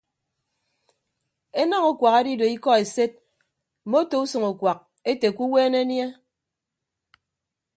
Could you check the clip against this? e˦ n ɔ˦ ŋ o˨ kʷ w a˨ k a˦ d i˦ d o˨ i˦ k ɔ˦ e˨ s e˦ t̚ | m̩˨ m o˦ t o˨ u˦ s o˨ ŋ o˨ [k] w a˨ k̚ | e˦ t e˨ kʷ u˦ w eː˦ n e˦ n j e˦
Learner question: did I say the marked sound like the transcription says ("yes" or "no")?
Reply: yes